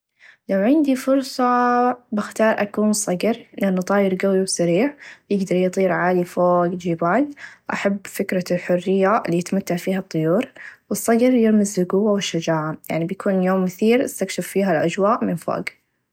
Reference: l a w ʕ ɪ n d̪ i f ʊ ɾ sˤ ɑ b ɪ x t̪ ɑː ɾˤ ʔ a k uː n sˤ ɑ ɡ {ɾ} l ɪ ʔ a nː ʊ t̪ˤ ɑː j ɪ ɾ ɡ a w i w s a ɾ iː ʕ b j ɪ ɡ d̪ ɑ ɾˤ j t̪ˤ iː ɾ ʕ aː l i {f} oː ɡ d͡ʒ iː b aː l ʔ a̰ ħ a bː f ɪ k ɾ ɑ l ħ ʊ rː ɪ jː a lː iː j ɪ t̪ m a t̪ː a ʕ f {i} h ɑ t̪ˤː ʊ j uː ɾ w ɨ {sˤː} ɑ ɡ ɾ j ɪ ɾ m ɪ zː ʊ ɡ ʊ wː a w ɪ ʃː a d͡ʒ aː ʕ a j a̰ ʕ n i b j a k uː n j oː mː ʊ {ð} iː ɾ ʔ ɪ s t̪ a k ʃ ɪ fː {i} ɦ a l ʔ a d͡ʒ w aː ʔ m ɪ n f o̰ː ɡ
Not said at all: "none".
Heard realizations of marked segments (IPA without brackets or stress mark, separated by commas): ɾ, f, iː, sˤː, θ, iː